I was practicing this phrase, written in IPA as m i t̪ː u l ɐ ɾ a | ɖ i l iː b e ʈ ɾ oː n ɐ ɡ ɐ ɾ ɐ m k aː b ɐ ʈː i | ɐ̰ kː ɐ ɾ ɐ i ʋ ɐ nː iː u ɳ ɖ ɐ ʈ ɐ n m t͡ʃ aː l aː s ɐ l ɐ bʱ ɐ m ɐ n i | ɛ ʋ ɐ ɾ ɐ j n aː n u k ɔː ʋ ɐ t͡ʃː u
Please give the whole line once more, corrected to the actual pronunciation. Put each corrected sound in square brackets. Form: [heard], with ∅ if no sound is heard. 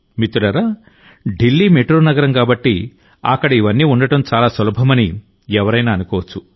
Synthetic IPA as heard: m i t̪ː u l ɐ ɾ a | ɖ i [lː] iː [m] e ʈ ɾ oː n ɐ ɡ ɐ ɾ ɐ m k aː b ɐ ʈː i | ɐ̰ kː ɐ [ɽ] ɐ i ʋ ɐ nː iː u ɳ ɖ ɐ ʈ ɐ [∅] m t͡ʃ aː l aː s ɐ l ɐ bʱ ɐ m ɐ n i | ɛ ʋ ɐ ɾ ɐ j n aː n u k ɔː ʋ ɐ t͡ʃː u

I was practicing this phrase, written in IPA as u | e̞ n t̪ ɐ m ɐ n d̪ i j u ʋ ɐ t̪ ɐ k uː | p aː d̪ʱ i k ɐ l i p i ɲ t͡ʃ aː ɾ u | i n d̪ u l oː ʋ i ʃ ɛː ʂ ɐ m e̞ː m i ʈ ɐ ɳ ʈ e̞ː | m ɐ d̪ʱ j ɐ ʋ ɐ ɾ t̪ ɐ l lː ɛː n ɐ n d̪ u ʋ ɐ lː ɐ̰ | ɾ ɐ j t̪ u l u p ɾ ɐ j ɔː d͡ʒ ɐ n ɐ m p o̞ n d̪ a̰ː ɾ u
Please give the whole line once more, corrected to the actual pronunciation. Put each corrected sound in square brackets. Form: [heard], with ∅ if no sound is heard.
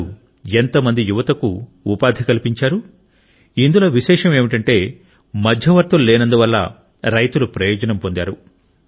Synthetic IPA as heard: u | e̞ n t̪ ɐ m ɐ n d̪ i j u ʋ ɐ t̪ ɐ k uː | p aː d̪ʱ i k ɐ l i p i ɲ t͡ʃ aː ɾ u | i n d̪ u l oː ʋ i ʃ ɛː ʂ ɐ m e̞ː m i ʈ ɐ ɳ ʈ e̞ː | m ɐ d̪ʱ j ɐ ʋ ɐ ɾ t̪ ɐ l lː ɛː n ɐ n d̪ u ʋ ɐ lː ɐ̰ | ɾ ɐ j t̪ u l u p ɾ ɐ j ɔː d͡ʒ ɐ n ɐ m p o̞ n d̪ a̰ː ɾ u

